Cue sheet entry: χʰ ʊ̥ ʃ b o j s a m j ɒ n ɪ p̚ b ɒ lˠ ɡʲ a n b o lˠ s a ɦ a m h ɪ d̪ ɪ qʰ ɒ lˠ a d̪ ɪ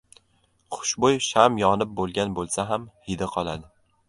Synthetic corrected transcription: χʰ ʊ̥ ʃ b o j ʃ a m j ɒ n ɪ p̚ b o lˠ ɡʲ a n b o lˠ s a ɦ a m h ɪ d̪ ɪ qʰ ɒ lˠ a d̪ ɪ

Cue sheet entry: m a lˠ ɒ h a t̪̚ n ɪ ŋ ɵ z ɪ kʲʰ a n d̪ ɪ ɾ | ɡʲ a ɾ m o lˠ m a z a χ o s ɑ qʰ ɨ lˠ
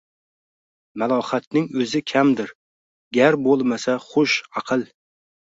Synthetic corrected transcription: m a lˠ ɒ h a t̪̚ n ɪ ŋ ɵ z ɪ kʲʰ a m d̪ ɪ ɾ | ɡʲ a ɾ b o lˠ m a s a χ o ʃ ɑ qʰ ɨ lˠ

